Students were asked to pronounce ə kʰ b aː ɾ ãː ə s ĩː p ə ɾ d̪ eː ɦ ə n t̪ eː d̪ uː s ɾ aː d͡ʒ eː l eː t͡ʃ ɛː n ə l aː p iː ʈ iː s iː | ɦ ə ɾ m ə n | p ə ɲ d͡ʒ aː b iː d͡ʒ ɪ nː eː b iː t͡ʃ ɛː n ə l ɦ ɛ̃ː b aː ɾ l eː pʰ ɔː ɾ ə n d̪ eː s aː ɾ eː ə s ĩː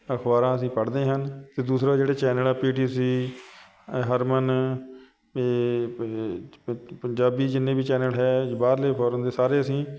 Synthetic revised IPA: ə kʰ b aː ɾ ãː ə s ĩː p ə ɽ d̪ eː ɦ ə n t̪ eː d̪ uː s ɾ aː d͡ʒ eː ɽ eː t͡ʃ ɛː n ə l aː p iː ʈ iː s iː | ɦ ə ɾ m ə n | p ə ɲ d͡ʒ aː b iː d͡ʒ ɪ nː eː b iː t͡ʃ ɛː n ə l ɦ ɛː b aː ɾ l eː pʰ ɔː ɾ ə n d̪ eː s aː ɾ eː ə s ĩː